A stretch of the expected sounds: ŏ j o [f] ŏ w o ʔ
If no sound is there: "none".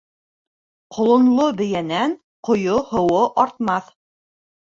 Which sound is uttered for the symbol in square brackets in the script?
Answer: h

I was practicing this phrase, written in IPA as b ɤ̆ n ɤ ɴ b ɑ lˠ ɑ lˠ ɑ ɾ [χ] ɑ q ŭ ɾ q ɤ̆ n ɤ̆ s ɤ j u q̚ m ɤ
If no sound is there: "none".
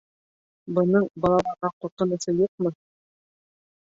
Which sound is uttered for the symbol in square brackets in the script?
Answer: ʁ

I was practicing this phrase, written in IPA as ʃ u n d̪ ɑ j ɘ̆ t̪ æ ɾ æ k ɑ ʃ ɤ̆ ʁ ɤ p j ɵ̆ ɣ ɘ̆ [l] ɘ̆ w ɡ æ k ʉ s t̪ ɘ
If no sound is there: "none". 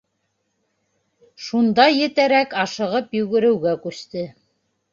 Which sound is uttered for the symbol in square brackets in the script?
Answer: ɾ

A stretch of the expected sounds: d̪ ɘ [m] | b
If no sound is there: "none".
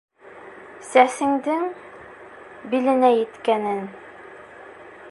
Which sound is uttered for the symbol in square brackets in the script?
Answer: ŋ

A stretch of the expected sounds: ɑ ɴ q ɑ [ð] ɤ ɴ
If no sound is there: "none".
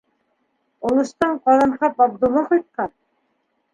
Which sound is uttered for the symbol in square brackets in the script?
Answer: ð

